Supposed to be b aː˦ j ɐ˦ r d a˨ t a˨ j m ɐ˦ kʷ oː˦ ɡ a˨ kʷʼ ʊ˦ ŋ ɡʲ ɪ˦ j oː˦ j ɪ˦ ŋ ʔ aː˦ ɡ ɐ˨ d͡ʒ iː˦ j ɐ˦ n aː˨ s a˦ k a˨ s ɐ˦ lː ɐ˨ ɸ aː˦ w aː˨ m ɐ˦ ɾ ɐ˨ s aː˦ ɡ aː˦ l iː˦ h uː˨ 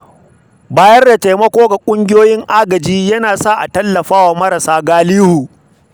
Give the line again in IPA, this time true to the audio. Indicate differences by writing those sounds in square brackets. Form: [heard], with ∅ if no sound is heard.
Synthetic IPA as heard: b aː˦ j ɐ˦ r d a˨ t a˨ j m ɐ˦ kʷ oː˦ ɡ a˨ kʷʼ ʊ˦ ŋ ɡʲ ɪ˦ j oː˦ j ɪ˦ ŋ ʔ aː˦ ɡ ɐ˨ d͡ʒ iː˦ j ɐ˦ n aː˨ s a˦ [ʔ] a˨ [t] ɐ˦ lː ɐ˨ ɸ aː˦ w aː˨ m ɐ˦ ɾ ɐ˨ s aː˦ ɡ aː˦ l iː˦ h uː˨

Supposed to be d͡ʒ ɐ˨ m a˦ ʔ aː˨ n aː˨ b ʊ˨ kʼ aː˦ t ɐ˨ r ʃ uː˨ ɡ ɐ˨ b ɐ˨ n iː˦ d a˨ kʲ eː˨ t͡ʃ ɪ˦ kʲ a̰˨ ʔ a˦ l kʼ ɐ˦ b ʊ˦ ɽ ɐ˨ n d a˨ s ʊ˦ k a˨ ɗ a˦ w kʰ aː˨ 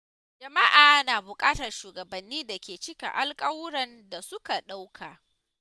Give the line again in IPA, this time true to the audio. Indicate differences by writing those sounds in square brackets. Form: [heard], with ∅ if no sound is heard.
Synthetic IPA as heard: d͡ʒ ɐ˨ m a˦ ʔ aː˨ n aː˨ b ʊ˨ kʼ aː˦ t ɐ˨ r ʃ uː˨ ɡ ɐ˨ b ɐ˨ [nː] iː˦ d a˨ kʲ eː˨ t͡ʃ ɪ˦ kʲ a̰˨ ʔ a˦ l kʼ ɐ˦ [w] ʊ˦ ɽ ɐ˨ n d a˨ s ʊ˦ k a˨ ɗ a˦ w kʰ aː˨

